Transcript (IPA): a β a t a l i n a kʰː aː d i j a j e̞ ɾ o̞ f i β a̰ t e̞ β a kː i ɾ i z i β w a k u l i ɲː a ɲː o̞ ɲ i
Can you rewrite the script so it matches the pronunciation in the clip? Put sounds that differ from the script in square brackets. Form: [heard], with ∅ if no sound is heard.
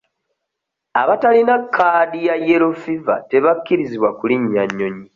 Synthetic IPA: a β a t a l i n a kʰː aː d i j a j e̞ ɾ o̞ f i [v] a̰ t e̞ β a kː i ɾ i z i β w a k u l i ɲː a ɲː o̞ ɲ i